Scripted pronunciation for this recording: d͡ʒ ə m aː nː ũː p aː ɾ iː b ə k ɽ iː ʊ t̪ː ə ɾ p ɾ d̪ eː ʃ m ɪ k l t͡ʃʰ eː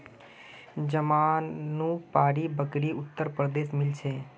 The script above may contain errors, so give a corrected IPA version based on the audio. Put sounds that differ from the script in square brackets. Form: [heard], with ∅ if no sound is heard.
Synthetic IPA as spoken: d͡ʒ ə m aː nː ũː p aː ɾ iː b ə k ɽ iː ʊ t̪ː ə ɾ p ɾ d̪ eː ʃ m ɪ [∅] l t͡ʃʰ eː